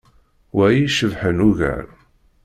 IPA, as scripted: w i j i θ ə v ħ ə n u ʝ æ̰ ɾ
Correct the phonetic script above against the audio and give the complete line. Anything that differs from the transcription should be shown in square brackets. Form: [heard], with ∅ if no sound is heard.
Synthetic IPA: w [æ] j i [ʃ] ə v ħ ə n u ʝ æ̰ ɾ